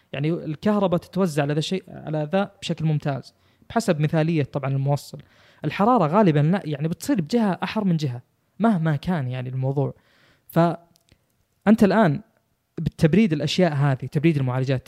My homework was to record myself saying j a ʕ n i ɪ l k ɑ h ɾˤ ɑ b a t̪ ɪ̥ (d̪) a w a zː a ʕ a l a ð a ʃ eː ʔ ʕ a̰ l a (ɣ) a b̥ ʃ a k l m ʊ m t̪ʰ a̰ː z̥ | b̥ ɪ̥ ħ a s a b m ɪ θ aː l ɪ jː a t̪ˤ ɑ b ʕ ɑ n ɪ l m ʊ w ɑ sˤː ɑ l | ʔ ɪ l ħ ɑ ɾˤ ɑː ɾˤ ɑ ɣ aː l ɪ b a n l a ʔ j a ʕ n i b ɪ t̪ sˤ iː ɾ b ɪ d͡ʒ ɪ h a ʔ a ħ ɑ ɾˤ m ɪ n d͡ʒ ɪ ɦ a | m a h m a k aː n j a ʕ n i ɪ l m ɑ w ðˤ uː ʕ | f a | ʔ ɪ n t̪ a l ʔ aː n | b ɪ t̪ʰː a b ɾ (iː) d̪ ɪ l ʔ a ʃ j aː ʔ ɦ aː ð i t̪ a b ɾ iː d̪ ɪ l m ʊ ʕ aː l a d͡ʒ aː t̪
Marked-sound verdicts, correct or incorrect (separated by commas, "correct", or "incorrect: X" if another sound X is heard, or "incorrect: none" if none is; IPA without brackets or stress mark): incorrect: t̪, incorrect: ð, correct